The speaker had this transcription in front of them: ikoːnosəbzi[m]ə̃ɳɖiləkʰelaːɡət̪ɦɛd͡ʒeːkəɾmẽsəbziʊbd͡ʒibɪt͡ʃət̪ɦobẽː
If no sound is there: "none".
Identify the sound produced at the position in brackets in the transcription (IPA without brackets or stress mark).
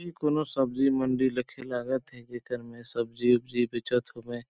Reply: m